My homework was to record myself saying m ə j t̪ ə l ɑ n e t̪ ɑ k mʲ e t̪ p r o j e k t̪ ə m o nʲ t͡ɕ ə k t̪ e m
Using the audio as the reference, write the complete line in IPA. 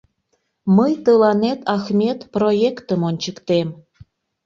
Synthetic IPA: m ə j t̪ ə l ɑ n e t̪ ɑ x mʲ e t̪ p r o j e k t̪ ə m o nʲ t͡ɕ ə k t̪ e m